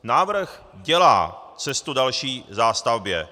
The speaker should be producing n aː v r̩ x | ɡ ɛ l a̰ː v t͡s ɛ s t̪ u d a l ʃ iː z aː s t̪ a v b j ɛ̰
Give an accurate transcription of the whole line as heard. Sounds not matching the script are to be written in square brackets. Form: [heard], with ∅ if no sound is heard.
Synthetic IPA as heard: n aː v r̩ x | [ɟ] ɛ l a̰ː [∅] t͡s ɛ s t̪ u d a l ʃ iː z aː s t̪ a v b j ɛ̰